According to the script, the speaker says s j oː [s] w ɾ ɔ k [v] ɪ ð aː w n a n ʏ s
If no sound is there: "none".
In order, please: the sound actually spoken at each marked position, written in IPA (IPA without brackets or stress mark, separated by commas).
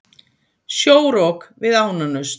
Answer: none, v